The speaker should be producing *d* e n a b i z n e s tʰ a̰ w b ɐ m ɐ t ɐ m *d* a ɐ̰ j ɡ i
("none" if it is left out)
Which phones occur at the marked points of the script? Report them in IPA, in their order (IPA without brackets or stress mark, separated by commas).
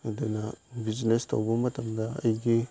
d, d